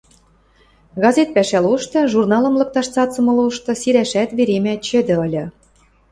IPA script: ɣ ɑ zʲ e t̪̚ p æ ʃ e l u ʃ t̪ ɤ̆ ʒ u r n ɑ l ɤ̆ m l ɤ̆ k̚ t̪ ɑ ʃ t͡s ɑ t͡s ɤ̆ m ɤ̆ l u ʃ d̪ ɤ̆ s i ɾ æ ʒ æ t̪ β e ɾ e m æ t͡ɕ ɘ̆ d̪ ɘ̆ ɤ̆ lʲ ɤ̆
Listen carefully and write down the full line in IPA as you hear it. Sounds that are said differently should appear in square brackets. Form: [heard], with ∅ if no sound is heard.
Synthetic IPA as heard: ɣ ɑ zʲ e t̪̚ p æ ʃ [æ] l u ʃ t̪ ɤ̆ ʒ u r n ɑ l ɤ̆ m l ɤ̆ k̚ t̪ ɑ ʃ t͡s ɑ t͡s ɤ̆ m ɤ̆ l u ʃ [t̪] ɤ̆ s i ɾ æ [ʃ] æ t̪ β e ɾ e m æ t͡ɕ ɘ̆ d̪ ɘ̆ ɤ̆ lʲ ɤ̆